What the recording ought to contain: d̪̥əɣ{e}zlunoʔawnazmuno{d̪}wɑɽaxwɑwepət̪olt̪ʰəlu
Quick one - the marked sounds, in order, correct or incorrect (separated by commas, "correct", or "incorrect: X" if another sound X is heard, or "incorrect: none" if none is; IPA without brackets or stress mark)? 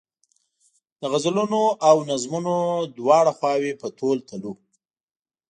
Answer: incorrect: a, correct